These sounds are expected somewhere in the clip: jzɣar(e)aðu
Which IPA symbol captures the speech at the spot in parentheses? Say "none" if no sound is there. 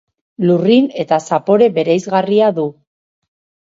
i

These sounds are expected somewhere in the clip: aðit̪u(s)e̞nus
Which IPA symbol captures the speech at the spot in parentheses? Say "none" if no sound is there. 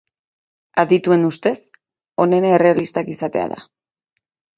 none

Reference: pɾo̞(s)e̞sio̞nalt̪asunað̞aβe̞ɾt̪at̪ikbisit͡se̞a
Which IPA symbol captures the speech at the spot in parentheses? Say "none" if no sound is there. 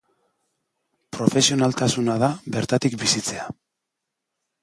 f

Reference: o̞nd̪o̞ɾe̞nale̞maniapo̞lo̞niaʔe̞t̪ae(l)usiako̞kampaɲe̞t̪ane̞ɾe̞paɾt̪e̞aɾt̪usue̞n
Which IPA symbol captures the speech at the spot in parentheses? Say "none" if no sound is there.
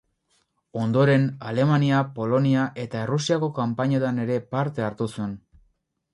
r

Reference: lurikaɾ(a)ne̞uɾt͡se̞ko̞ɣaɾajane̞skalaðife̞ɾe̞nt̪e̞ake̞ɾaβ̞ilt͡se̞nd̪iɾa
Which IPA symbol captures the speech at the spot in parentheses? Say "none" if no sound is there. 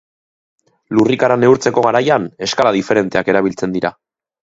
a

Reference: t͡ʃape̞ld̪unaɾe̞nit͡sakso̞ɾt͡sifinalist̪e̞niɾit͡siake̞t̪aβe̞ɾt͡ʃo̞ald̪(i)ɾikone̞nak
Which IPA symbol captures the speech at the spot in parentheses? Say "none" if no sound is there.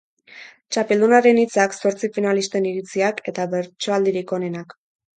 i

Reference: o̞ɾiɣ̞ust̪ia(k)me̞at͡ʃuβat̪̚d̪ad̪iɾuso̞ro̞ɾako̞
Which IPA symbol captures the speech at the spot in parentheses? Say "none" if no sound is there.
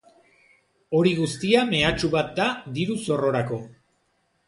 none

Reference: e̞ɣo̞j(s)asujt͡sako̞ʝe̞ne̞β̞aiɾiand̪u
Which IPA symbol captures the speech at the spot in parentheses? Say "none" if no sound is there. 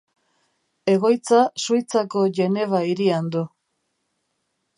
t͡s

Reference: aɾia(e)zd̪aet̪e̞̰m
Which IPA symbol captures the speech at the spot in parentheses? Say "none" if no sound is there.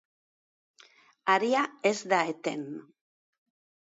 e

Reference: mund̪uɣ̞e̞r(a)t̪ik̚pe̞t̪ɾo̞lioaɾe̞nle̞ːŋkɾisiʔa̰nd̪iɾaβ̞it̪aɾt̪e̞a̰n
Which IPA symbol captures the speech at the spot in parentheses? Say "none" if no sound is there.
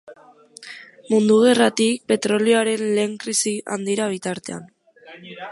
a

